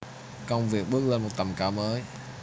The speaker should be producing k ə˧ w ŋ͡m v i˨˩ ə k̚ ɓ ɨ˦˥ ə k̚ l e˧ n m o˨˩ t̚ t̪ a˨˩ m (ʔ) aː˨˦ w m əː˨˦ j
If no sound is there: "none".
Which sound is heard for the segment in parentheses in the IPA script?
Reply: k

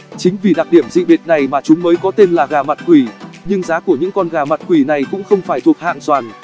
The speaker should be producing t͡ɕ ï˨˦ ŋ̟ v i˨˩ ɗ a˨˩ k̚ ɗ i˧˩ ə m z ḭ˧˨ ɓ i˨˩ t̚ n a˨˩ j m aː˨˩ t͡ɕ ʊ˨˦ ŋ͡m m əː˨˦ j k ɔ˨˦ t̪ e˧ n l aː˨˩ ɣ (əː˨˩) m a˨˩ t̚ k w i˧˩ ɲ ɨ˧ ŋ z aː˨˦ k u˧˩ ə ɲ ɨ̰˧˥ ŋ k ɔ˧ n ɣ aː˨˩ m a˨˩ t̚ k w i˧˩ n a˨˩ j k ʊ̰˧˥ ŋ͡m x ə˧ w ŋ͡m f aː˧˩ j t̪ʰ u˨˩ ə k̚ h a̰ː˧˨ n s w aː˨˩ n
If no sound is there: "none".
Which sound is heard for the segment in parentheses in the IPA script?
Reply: aː˨˩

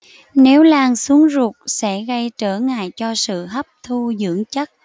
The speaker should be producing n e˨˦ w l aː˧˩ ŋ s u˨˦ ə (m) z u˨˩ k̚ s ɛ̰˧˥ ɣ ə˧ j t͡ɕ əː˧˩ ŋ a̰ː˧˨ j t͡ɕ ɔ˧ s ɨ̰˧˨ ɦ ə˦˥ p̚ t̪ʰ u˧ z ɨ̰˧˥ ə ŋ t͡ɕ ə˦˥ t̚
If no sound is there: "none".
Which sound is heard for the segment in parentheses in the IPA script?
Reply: ŋ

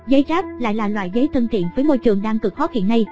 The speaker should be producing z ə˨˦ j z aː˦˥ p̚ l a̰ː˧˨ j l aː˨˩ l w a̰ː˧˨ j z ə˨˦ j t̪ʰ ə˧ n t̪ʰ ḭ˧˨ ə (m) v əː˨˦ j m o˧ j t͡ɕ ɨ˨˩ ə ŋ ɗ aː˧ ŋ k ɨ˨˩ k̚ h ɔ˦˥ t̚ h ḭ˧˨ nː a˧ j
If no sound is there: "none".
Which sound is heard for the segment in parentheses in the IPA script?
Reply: n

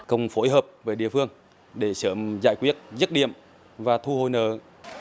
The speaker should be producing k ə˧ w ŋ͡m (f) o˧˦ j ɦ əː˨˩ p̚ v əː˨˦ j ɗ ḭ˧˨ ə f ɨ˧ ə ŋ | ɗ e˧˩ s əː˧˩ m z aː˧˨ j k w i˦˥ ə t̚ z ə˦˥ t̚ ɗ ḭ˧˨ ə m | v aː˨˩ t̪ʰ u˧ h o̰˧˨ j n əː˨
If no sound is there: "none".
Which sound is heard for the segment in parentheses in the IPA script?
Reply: f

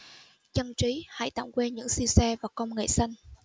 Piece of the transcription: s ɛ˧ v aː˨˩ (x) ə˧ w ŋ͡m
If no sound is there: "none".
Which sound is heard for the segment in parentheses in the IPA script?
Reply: k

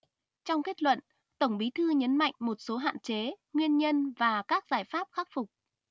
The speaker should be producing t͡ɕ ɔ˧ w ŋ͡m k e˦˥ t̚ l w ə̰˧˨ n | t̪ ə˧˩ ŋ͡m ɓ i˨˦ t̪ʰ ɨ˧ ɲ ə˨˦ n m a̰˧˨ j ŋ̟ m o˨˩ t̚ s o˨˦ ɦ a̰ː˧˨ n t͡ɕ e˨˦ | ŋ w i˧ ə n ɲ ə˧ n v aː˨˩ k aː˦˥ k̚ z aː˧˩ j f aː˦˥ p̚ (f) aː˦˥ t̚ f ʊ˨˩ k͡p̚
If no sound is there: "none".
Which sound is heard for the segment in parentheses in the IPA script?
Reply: x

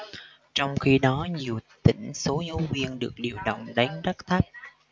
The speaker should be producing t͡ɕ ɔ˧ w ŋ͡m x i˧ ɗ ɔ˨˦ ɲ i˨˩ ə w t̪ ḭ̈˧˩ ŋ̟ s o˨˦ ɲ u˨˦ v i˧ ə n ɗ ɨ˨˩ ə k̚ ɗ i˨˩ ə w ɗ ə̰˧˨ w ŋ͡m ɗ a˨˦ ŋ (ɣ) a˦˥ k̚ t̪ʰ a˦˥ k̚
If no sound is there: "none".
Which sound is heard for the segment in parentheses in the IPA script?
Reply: z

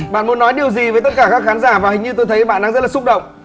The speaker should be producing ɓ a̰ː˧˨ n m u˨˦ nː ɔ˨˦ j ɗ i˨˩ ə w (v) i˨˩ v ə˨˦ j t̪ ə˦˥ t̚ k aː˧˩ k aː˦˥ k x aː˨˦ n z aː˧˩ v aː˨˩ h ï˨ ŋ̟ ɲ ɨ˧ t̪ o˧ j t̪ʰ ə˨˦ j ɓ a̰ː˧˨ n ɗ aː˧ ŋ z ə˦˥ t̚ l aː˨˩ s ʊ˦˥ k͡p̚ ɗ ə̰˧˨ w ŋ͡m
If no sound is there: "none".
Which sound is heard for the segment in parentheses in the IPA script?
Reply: z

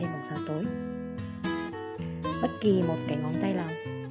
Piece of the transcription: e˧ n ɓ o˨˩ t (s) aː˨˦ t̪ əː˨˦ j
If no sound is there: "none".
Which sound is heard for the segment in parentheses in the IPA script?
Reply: s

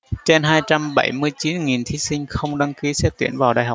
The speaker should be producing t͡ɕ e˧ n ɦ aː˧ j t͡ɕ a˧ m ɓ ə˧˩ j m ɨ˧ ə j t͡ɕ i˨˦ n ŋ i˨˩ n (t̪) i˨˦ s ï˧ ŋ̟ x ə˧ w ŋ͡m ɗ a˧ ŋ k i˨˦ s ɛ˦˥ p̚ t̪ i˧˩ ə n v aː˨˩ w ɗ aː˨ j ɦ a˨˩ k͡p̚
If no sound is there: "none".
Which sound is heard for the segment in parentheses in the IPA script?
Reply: t̪ʰ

